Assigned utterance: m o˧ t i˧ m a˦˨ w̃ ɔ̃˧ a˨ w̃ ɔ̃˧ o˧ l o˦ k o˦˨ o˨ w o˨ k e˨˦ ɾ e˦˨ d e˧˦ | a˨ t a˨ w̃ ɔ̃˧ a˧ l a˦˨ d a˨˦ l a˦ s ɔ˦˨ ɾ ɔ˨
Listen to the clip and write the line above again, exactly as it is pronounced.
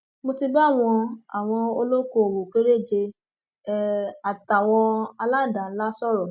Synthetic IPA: m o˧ t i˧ b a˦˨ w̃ ɔ̃˧ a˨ w̃ ɔ̃˧ o˧ l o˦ k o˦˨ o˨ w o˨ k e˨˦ ɾ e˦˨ d͡ʒ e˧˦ | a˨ t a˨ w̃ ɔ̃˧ a˧ l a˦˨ d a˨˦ l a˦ s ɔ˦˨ ɾ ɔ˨

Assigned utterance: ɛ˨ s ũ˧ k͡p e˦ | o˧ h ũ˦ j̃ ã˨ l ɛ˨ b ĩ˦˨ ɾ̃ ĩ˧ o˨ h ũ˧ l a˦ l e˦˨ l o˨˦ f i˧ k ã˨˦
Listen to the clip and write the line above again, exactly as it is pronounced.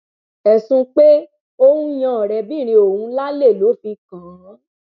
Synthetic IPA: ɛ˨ s ũ˧ k͡p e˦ | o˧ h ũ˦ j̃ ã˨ ɾ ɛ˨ b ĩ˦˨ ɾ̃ ĩ˧ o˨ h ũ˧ l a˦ l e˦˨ l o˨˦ f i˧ k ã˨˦

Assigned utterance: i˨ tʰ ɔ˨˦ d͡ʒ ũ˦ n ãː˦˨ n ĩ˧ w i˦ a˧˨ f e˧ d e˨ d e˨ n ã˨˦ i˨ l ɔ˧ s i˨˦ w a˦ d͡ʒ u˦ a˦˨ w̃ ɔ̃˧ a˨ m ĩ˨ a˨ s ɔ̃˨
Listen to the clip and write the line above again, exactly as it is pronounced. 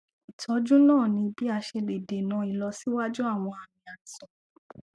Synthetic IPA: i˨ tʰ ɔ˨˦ d͡ʒ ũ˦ n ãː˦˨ n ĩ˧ b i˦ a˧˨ ʃ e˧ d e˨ d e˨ n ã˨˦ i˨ l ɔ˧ s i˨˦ w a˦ d͡ʒ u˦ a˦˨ w̃ ɔ̃˧ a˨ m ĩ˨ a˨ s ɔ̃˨

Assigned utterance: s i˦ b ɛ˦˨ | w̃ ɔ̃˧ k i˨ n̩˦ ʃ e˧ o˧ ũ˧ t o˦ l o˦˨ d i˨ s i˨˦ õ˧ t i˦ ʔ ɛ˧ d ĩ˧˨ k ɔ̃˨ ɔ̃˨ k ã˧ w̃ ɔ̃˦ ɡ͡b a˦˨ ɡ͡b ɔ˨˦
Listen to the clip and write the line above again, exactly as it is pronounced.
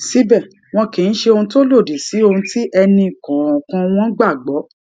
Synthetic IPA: s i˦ b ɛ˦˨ | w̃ ɔ̃˧ k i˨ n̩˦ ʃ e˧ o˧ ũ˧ t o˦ l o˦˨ d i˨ s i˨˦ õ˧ t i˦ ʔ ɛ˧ n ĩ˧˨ k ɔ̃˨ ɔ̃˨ k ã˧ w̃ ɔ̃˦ ɡ͡b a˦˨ ɡ͡b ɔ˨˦

